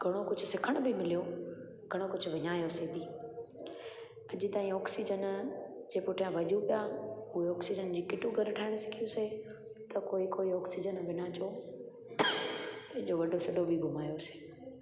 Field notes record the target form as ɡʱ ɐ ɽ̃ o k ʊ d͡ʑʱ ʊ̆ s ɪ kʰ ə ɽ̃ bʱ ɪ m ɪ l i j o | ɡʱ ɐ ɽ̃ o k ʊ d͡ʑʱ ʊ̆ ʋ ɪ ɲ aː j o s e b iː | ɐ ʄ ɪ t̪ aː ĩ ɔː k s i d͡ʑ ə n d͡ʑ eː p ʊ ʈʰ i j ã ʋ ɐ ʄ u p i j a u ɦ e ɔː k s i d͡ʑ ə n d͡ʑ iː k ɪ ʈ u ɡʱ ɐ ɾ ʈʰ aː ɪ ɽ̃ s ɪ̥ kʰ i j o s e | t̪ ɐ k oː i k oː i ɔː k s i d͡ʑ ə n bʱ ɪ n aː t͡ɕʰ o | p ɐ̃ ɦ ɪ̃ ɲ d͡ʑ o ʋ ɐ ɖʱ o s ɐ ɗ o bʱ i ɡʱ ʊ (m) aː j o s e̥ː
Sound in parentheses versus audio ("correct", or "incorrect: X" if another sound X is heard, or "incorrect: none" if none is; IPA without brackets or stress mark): correct